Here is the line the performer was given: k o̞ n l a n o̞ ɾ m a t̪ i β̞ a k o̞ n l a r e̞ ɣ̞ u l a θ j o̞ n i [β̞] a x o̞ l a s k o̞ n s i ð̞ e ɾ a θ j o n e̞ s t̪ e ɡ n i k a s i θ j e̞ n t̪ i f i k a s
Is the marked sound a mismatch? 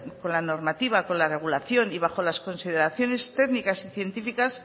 no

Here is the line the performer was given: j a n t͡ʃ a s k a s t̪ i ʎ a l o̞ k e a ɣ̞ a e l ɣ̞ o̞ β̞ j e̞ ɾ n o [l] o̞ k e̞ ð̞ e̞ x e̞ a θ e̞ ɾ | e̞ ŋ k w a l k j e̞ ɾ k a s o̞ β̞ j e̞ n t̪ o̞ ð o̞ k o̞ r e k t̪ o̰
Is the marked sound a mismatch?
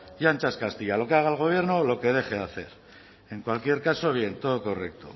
no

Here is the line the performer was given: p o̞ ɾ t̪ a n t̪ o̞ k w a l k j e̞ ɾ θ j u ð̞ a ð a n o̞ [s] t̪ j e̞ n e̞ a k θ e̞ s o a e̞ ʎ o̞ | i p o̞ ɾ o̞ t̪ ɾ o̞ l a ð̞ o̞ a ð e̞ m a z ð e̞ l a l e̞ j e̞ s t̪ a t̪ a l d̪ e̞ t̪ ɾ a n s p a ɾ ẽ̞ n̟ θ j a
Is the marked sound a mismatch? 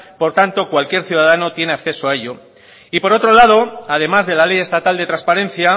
yes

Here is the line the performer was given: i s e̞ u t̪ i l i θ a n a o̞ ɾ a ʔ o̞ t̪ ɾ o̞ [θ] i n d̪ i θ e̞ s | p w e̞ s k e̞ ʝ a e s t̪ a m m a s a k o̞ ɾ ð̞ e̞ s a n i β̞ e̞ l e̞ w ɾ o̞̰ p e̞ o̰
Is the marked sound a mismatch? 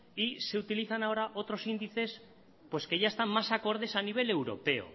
yes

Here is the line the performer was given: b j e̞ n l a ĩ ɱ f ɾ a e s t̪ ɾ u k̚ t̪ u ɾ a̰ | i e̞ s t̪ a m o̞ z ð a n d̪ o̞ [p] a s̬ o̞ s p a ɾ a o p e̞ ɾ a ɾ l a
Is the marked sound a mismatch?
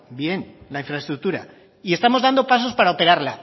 no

